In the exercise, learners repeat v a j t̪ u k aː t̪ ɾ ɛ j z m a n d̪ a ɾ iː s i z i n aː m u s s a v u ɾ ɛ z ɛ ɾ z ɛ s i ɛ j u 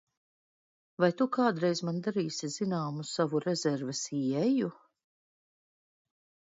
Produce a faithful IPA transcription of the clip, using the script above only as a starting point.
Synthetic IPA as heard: v a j t̪ u k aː d̪ ɾ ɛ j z m a n d̪ a ɾ iː s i z i n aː m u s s a v u ɾ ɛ z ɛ ɾ v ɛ s i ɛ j u